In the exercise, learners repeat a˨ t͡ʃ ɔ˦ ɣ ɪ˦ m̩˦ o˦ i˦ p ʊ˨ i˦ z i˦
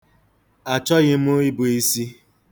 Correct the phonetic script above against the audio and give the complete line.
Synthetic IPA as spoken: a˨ t͡ʃ ɔ˦ ɣ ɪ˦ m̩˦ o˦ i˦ b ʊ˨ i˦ s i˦